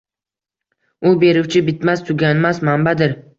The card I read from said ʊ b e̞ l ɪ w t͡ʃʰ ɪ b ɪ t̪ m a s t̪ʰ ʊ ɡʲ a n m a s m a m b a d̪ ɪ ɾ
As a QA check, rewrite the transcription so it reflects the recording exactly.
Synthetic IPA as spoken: ʊ b e̞ ɾ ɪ w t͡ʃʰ ɪ b ɪ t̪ m a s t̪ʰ ʊ ɡʲ a n m a s m a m b a d̪ ɪ ɾ